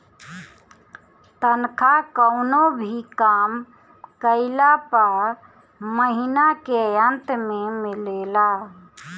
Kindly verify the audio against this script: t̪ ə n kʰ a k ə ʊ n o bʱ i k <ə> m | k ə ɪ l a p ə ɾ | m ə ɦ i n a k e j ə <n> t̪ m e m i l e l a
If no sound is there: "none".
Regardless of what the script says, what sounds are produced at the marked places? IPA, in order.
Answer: a, n

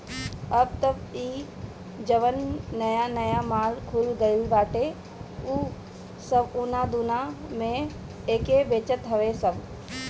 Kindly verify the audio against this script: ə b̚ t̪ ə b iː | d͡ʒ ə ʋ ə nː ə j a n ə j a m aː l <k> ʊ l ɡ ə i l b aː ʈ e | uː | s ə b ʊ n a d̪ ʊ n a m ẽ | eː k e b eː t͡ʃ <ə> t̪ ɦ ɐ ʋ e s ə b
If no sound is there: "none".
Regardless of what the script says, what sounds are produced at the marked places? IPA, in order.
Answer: kʰ, ə

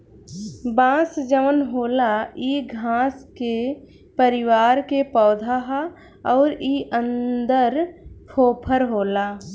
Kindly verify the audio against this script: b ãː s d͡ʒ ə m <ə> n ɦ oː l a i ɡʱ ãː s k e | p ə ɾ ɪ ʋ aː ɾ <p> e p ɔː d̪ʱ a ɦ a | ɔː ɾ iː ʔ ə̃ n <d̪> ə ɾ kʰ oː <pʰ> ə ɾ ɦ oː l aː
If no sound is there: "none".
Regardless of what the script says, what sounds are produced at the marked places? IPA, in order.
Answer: ə, k, d̪, pʰ

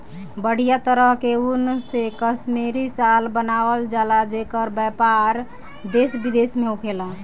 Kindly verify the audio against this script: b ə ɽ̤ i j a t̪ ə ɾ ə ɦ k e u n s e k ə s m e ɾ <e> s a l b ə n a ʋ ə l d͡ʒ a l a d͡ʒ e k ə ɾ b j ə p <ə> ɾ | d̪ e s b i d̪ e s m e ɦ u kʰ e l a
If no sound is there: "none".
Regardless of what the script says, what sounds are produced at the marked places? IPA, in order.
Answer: i, a

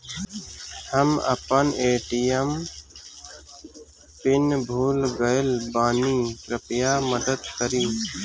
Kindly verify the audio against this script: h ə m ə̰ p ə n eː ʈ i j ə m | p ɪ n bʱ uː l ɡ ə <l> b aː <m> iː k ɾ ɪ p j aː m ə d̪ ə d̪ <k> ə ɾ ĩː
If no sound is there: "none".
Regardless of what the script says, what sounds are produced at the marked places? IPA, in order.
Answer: l, n, k

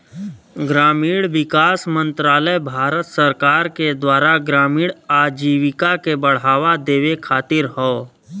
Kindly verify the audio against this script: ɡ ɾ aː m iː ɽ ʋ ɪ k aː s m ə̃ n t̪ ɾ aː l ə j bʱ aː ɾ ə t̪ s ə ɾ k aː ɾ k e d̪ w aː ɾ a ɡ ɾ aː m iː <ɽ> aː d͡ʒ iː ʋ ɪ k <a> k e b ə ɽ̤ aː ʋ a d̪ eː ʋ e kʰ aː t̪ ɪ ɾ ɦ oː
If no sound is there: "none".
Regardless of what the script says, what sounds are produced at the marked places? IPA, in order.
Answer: ɽ, a

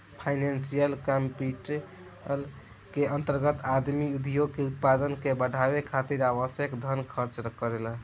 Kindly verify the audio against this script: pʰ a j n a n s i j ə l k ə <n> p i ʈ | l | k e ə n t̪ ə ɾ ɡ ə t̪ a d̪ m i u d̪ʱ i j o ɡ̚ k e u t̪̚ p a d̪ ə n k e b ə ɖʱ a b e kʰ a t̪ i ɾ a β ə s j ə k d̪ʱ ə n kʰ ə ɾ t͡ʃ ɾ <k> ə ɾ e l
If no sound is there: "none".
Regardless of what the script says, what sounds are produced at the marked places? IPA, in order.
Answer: m, k

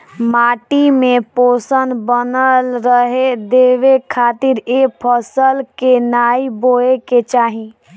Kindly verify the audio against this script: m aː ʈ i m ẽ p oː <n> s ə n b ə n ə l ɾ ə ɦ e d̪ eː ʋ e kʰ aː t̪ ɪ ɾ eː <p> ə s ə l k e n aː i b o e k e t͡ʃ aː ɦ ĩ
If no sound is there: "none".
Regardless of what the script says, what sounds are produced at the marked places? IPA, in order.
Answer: none, pʰ

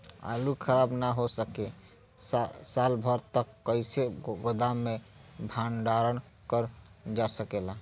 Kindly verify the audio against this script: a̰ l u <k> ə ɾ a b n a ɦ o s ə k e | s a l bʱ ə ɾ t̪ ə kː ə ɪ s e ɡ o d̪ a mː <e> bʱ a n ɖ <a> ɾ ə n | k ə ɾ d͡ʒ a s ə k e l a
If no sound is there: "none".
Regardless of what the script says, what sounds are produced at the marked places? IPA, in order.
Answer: kʰ, e, a

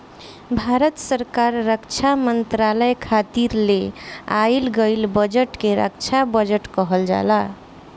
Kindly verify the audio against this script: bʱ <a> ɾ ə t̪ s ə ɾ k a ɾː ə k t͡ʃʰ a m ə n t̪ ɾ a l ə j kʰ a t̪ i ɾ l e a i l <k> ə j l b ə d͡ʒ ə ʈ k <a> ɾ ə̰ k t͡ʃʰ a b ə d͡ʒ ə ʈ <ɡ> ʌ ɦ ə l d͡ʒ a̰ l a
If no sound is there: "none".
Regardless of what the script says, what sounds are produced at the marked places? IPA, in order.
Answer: a, ɡ, e, k

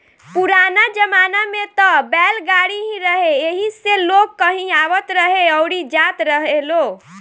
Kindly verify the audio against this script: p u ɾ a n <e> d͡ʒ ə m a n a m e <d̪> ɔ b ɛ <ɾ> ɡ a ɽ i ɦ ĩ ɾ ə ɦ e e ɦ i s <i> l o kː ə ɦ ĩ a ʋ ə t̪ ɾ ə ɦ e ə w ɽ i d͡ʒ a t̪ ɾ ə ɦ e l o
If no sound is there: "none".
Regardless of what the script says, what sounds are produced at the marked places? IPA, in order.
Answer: a, t̪, l, e

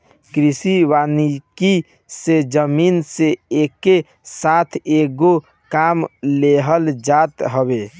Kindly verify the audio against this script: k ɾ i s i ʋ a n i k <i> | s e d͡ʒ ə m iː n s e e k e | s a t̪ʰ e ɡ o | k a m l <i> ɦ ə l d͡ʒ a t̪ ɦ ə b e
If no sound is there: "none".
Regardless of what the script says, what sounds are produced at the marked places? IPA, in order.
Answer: i, e

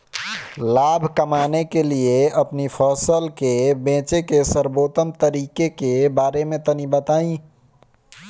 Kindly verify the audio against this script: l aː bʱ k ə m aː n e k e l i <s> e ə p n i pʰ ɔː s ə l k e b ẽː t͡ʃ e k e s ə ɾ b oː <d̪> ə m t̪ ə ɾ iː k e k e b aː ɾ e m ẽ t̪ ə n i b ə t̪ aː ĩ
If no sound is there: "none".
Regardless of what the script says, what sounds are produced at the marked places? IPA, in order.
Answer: none, t̪

